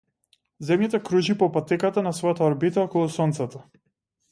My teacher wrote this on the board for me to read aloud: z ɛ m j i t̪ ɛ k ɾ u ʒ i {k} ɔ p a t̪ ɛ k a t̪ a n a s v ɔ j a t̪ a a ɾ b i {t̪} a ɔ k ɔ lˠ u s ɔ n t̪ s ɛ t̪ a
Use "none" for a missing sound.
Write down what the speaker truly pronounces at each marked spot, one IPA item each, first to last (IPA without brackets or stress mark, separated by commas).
p, t̪